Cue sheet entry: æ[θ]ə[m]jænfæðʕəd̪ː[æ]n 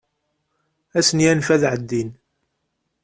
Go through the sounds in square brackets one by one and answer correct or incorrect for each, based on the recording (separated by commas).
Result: incorrect, incorrect, incorrect